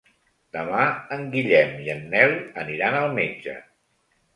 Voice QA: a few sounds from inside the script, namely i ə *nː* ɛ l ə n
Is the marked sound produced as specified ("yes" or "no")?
yes